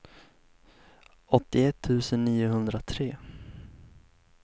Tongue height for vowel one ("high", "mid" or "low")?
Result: mid